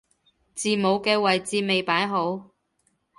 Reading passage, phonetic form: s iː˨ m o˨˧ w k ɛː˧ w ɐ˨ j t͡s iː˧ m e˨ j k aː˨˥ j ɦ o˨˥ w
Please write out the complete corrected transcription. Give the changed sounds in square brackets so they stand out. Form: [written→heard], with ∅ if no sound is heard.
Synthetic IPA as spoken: [s→t͡s] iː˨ m o˨˧ w k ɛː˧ w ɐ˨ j t͡s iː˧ m e˨ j [k→p] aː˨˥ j ɦ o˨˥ w